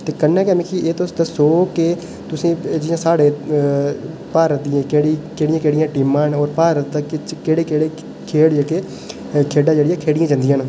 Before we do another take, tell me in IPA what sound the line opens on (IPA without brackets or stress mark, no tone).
t̪